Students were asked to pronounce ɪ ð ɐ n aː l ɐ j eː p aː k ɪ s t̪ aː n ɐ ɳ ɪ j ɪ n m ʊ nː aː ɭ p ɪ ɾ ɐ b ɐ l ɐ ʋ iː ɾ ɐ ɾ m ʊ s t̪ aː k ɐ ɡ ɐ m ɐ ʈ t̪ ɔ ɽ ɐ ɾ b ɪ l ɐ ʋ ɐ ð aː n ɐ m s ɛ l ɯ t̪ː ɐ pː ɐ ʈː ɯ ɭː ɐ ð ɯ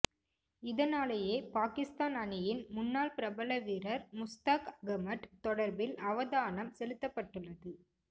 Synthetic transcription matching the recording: ɪ ð ɐ n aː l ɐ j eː p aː k ɪ s t̪ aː n ɐ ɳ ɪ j ɪ n m ʊ nː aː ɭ p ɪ ɾ ɐ b ɐ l ɐ ʋ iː ɾ ɐ ɾ m ʊ s t̪ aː k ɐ ɡ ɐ m ɐ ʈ t̪ ɔ ɽ ɐ ɾ b ɪ l ɐ ʋ ɐ ð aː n ɐ m s ɛ l ɯ t̪ː ɐ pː ɐ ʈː ɯ ɭː ɐ ð ɯ